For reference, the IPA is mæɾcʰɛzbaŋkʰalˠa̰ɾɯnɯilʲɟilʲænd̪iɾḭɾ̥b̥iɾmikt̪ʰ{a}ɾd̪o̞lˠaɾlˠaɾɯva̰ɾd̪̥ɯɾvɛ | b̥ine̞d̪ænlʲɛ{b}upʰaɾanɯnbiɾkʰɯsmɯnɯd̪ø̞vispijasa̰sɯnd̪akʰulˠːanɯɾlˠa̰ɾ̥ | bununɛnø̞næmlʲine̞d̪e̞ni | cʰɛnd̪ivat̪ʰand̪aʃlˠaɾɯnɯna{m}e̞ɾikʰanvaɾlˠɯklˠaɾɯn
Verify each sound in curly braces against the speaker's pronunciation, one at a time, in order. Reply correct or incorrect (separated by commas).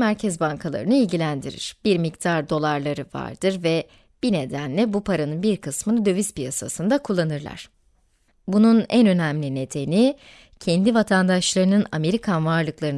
correct, correct, correct